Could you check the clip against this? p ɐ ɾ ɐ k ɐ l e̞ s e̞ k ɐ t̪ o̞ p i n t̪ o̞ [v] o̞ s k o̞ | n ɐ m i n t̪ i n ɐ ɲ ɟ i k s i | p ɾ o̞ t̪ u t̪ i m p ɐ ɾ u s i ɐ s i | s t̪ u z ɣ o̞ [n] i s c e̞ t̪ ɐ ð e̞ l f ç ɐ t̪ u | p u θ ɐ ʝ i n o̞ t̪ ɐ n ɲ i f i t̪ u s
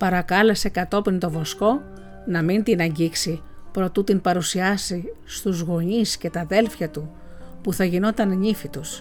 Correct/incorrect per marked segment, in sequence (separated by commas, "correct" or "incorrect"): correct, incorrect